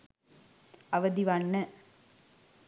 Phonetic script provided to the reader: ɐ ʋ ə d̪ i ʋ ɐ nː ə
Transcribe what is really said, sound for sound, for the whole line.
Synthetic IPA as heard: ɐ ʋ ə d̪ i ʋ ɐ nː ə